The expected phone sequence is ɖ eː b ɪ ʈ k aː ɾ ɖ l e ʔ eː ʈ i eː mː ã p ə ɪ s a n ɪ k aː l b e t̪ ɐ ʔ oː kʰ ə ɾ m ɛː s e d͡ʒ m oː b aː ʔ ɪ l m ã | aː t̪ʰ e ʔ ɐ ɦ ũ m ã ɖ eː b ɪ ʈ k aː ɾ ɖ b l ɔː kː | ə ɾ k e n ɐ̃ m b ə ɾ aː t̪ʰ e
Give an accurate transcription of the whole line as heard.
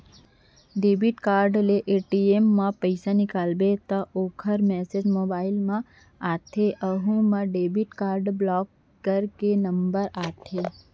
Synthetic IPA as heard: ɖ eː b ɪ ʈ k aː ɾ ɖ l e ʔ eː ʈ i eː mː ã p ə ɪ s a n ɪ k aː l b e t̪ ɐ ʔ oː kʰ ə ɾ m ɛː s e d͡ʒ m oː b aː ɪ l m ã | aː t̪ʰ e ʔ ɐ ɦ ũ m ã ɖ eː b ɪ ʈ k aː ɾ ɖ b l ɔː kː | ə ɾ k e n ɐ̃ m b ə ɾ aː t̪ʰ e